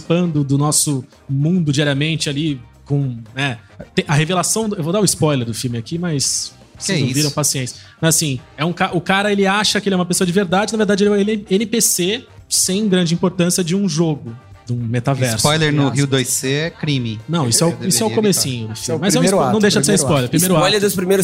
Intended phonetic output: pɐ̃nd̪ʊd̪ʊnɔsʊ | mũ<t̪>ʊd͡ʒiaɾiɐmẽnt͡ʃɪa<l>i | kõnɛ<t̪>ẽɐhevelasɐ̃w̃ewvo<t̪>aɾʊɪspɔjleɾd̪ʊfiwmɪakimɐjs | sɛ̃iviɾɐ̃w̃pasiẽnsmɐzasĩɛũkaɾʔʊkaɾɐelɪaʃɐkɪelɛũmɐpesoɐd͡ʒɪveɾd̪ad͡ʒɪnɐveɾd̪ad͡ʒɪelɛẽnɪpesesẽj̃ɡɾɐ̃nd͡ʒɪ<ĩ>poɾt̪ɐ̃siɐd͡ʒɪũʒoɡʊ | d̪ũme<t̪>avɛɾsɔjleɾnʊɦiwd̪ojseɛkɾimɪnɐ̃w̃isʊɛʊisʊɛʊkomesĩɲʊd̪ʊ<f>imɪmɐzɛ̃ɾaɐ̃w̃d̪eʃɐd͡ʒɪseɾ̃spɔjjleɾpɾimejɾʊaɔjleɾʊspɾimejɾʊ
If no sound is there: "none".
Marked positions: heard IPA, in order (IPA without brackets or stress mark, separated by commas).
d̪, l, t̪, d̪, ĩ, t̪, f